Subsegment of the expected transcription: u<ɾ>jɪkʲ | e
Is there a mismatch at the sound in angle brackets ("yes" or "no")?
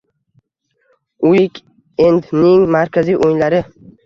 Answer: yes